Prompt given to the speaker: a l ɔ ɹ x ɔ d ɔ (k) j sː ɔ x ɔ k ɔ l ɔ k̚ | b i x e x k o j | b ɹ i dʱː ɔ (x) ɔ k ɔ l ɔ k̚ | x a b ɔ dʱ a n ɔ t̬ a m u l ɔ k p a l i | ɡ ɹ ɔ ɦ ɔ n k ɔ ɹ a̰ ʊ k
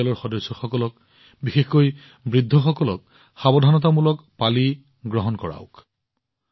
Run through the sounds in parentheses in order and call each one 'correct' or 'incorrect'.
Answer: incorrect: none, correct

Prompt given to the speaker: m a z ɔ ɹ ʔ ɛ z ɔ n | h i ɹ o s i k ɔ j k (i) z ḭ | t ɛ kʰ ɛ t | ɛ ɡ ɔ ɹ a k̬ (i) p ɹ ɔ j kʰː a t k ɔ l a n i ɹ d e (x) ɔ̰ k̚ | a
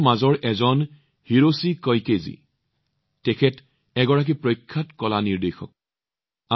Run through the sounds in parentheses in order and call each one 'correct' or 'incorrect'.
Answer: incorrect: e, correct, correct

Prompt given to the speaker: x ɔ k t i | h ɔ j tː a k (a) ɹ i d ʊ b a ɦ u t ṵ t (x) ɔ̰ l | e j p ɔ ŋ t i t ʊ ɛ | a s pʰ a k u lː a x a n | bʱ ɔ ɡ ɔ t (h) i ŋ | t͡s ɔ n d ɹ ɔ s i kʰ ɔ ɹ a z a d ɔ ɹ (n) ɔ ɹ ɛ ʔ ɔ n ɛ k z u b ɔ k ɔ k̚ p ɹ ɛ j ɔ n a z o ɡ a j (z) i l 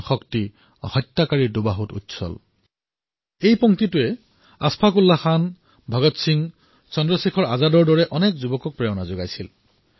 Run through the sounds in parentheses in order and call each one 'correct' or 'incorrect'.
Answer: correct, incorrect: s, incorrect: s, incorrect: d, incorrect: s

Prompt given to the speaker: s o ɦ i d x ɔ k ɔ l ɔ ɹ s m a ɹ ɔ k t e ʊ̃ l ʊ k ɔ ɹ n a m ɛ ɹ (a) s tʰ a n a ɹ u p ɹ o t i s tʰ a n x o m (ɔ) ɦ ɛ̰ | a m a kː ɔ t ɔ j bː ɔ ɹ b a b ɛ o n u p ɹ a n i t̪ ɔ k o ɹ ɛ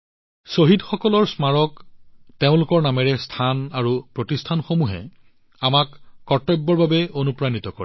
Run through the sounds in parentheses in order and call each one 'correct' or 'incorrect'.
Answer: incorrect: ɛ, incorrect: u

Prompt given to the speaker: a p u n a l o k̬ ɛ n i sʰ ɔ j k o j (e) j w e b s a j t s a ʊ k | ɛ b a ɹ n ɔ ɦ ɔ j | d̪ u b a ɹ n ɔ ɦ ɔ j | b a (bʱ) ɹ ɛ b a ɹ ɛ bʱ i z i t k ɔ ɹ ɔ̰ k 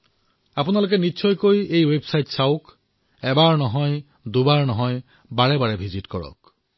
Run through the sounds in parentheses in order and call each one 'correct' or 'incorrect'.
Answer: correct, incorrect: none

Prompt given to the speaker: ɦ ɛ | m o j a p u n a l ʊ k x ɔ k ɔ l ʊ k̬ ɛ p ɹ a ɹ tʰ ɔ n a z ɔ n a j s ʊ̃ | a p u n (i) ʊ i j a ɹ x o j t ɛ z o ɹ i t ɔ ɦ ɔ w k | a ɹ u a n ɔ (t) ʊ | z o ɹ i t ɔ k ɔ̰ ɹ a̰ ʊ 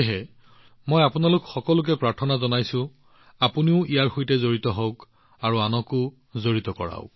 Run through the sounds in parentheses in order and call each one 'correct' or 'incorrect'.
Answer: correct, incorrect: k

